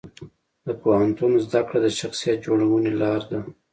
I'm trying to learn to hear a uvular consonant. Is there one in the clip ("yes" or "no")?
no